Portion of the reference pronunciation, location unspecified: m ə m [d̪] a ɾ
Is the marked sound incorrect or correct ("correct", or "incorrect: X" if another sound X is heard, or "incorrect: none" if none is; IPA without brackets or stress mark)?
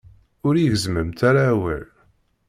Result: incorrect: t̪